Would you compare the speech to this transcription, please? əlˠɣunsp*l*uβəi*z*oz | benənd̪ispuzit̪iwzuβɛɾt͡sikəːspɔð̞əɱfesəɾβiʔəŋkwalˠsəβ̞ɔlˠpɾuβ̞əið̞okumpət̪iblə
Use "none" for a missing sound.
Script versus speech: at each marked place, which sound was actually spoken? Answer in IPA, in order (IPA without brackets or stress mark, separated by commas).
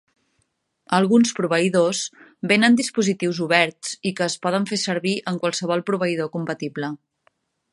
ɾ, ð